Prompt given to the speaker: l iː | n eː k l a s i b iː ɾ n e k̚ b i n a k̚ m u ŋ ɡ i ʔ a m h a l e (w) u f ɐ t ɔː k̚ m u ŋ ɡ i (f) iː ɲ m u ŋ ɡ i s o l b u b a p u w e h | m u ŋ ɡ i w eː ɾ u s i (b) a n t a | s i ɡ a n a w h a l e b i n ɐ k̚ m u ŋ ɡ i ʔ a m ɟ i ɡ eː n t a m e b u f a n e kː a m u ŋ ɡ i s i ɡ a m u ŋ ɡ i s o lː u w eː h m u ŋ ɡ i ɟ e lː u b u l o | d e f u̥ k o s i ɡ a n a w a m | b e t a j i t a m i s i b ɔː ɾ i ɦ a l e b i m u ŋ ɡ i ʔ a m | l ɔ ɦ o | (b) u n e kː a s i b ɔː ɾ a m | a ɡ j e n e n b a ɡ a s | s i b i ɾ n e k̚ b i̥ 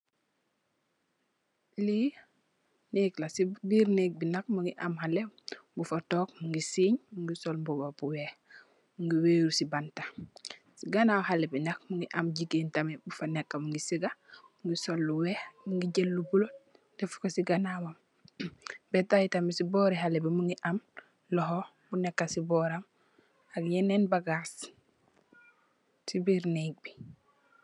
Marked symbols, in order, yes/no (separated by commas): no, no, yes, yes